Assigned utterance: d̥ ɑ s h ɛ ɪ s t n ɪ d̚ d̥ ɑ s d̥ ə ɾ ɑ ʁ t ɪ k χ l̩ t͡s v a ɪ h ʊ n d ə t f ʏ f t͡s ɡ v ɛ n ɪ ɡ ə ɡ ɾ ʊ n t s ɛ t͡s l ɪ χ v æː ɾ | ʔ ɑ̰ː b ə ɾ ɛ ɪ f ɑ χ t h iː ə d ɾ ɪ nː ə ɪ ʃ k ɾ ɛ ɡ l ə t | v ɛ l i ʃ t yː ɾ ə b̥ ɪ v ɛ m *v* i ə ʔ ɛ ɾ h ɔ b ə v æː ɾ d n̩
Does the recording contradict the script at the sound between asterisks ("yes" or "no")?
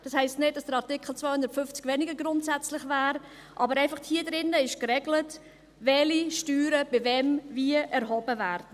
no